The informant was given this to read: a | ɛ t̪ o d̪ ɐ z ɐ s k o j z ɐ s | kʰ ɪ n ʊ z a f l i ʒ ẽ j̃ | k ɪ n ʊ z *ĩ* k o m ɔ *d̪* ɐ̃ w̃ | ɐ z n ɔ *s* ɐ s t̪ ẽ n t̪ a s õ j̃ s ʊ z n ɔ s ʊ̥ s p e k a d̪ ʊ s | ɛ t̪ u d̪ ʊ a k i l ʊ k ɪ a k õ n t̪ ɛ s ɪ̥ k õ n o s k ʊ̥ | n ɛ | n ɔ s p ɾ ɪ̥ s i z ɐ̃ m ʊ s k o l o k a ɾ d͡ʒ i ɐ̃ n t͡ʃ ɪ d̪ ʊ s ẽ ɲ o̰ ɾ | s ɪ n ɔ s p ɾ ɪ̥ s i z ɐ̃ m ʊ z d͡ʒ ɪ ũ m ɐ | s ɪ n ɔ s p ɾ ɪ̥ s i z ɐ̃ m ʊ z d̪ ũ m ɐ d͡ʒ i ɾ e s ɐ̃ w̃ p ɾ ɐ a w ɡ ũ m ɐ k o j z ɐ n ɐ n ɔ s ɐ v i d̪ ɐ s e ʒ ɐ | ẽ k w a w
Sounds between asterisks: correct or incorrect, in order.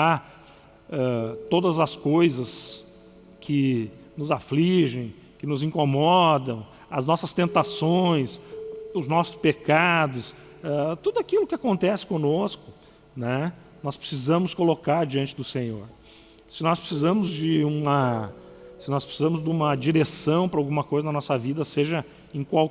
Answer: correct, correct, correct

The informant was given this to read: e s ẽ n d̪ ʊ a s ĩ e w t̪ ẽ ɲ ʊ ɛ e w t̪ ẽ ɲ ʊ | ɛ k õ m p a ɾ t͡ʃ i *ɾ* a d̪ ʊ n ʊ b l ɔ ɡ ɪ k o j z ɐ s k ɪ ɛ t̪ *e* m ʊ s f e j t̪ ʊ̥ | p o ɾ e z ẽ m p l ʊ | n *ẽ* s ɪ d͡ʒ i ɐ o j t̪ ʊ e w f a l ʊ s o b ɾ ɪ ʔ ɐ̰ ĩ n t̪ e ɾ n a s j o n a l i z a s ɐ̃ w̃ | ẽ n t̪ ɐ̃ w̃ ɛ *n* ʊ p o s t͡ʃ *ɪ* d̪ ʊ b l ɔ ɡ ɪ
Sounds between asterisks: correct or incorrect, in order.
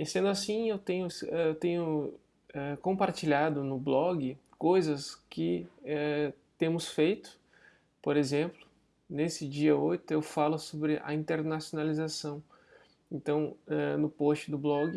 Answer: incorrect, incorrect, incorrect, correct, correct

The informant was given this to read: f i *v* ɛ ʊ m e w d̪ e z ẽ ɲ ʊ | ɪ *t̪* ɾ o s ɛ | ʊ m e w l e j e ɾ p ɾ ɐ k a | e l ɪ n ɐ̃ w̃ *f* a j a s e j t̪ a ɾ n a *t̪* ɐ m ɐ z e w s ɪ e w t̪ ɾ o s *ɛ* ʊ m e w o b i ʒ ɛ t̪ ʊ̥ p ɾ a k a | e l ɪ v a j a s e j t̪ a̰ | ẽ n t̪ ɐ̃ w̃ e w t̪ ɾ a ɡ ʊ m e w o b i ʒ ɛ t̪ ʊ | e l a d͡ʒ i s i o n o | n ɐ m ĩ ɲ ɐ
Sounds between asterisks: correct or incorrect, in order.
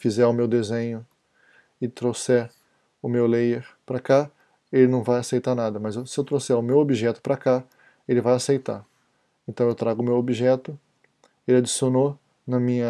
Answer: incorrect, correct, incorrect, incorrect, correct

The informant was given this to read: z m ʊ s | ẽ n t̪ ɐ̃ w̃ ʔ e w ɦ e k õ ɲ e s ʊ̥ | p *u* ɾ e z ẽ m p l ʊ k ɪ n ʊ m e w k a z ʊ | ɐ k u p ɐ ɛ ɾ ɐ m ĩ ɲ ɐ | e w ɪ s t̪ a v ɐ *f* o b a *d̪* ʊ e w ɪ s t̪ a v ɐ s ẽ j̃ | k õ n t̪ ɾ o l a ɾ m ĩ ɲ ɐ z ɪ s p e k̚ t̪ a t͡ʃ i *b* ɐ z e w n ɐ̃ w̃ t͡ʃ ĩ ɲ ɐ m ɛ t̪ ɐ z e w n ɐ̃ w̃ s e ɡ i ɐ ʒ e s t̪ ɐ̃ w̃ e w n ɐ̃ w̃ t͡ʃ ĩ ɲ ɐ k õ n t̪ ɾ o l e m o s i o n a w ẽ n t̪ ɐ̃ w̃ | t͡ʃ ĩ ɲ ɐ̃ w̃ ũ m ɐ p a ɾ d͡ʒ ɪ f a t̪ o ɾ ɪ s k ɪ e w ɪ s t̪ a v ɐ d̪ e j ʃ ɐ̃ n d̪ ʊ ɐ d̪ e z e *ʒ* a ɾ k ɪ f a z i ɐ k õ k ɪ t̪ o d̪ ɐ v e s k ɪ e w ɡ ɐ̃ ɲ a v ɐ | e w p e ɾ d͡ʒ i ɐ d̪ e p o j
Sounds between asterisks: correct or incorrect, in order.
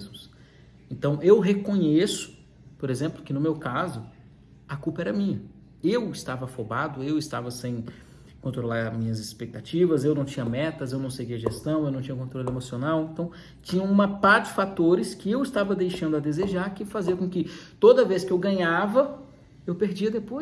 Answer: incorrect, correct, correct, incorrect, correct

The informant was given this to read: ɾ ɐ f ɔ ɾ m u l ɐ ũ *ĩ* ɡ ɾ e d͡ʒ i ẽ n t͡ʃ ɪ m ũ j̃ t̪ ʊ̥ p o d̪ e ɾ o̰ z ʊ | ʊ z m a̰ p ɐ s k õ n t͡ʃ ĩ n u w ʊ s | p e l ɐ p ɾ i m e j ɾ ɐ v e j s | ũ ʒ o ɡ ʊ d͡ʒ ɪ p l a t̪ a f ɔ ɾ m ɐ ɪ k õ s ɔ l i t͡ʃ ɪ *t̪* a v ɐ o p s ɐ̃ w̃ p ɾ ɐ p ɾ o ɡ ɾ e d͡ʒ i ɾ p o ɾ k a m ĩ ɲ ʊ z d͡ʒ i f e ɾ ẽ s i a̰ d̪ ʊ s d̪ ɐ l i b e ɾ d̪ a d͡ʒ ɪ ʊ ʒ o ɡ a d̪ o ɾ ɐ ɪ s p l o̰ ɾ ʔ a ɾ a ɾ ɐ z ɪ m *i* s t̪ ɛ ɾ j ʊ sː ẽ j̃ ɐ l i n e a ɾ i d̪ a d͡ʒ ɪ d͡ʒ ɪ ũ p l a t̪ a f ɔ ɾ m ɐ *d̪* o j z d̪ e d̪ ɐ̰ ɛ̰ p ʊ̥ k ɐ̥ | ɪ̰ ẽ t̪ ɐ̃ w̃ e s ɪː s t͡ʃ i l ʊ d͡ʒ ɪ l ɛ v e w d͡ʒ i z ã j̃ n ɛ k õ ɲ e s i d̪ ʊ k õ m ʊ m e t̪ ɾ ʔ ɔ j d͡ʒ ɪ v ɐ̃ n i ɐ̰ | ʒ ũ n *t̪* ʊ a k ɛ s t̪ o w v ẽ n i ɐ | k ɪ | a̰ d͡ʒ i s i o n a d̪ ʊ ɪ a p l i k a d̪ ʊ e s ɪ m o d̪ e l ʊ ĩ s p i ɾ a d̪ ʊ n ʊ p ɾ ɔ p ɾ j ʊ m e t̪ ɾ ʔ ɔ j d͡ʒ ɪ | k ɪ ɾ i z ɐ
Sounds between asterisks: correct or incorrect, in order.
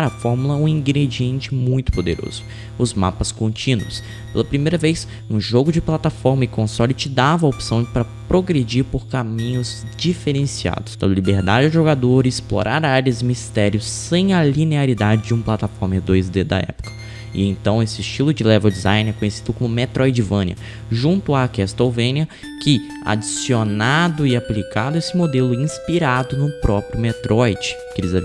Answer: correct, incorrect, correct, correct, correct

